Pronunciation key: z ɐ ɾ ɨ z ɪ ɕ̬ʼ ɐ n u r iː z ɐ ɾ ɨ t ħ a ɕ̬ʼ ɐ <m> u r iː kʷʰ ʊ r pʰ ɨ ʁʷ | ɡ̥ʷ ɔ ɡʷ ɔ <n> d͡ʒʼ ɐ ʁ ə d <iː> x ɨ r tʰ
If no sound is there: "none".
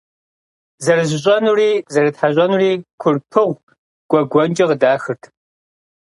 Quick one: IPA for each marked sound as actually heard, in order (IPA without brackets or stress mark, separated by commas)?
n, n, aː